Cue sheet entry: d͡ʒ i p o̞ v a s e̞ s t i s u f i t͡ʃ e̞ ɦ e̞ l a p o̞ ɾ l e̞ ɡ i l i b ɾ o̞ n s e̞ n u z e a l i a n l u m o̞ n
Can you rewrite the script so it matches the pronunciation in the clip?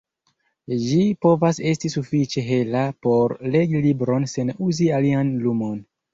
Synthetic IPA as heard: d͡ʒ i p o̞ v a s e̞ s t i s u f i t͡ʃ e̞ ɦ e̞ l a p o̞ ɾ l e̞ ɡ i l i b ɾ o̞ n s e̞ n u z i a l i a n l u m o̞ n